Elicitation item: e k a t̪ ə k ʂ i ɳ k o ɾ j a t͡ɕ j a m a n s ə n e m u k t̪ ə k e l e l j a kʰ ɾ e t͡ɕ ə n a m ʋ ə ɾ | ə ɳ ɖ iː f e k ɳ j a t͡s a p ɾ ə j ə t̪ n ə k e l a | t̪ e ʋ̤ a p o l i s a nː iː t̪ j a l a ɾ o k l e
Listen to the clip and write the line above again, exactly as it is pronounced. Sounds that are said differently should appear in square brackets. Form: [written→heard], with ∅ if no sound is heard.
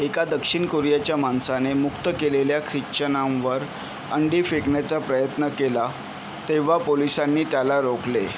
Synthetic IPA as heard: e k a [t̪→d̪] ə k ʂ i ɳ k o ɾ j a t͡ɕ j a m a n s [ə→a] n e m u k t̪ ə k e l e l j a kʰ ɾ [e→i] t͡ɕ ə n a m ʋ ə ɾ | ə ɳ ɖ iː f e k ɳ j a t͡s a p ɾ ə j ə t̪ n ə k e l a | t̪ e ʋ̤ a p o l i s a nː iː t̪ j a l a ɾ o k l e